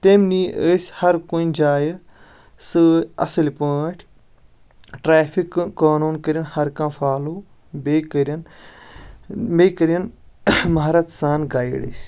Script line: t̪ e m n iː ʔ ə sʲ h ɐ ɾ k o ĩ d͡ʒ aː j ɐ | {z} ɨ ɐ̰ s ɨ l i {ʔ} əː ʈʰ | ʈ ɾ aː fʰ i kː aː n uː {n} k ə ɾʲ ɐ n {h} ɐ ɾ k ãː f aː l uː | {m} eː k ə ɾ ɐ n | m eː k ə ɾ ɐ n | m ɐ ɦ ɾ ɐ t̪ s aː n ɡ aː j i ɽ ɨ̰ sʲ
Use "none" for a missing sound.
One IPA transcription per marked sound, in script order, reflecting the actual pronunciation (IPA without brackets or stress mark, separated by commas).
s, p, n, h, b